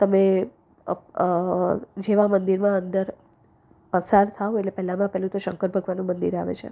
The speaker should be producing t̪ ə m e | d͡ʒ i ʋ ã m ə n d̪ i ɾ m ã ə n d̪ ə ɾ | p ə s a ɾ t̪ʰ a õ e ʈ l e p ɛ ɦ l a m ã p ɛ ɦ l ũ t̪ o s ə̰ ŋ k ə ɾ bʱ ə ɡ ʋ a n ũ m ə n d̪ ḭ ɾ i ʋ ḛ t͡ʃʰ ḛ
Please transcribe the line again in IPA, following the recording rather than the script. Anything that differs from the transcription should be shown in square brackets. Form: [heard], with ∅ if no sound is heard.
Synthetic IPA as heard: t̪ ə m e | d͡ʒ [e] ʋ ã m ə n d̪ i ɾ m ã ə n d̪ ə ɾ | p ə s a ɾ t̪ʰ a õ e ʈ l e p ɛ ɦ l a m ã p ɛ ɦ l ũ t̪ o [ʃ] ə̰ ŋ k ə ɾ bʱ ə ɡ ʋ a n ũ m ə n d̪ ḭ ɾ [a] ʋ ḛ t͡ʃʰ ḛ